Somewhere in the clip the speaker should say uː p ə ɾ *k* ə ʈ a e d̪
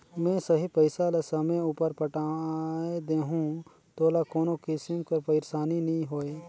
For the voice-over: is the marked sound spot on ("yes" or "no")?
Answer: no